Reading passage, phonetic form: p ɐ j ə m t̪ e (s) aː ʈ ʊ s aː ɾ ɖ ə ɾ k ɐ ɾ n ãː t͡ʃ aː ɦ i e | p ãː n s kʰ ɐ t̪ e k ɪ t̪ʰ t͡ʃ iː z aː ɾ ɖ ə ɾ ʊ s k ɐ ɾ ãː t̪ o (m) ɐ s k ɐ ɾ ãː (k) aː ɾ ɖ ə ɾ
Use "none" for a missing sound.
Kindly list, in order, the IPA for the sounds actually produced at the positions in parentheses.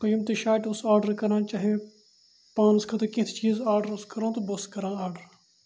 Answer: ʃ, b, none

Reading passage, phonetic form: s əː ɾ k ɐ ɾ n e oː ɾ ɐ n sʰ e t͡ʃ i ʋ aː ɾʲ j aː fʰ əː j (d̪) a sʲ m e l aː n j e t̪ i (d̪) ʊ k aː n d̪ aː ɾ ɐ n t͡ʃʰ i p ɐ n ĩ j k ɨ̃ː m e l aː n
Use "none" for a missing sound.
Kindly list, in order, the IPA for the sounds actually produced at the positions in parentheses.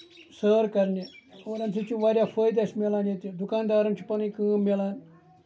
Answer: d̪, d̪

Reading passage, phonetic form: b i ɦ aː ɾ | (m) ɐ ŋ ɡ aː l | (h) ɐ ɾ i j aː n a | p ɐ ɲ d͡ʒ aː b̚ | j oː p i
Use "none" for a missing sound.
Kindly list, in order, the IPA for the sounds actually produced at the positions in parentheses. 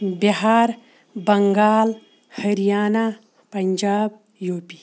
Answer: b, h

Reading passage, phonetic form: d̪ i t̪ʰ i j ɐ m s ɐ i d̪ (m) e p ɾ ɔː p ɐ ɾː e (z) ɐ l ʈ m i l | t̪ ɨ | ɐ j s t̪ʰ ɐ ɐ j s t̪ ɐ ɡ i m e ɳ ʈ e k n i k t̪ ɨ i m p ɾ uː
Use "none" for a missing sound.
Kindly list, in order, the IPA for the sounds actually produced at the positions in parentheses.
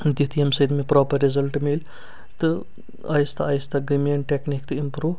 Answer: m, z

